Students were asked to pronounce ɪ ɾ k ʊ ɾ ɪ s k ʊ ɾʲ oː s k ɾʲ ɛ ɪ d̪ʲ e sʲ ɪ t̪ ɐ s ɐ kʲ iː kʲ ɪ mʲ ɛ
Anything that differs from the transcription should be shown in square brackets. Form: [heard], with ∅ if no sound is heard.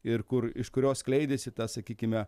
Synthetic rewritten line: ɪ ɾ k ʊ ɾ ɪ [ʃ] k ʊ ɾʲ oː s k [lʲ] ɛ ɪ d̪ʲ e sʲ ɪ t̪ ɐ s ɐ kʲ iː kʲ ɪ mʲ ɛ